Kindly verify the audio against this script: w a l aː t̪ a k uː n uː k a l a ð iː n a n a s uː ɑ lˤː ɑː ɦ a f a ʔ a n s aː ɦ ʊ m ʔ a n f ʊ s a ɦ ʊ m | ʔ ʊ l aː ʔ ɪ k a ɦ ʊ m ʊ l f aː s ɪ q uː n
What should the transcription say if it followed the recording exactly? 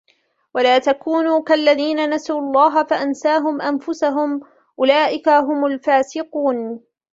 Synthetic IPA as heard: w a l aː t̪ a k uː n uː k a lː a ð iː n a n a s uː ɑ lˤː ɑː ɦ a f a ʔ a n s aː ɦ ʊ m ʔ a n f ʊ s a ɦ ʊ m | ʔ ʊ l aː ʔ ɪ k a ɦ ʊ m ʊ l f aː s ɪ q uː n